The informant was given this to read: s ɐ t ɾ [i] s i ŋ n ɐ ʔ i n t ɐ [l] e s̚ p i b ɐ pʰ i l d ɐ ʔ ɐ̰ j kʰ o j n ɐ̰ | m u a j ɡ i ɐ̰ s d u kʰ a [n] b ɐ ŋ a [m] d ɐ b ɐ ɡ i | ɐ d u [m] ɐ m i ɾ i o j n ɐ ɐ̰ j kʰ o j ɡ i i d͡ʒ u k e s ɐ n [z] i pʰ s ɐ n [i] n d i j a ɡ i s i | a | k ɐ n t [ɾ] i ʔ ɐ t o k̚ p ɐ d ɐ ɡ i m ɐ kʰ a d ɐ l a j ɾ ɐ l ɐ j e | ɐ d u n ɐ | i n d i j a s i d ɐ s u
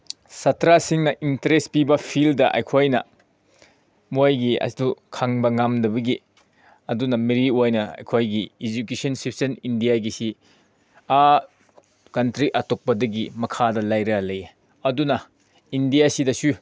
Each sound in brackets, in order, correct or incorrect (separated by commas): incorrect, incorrect, incorrect, correct, incorrect, incorrect, correct, correct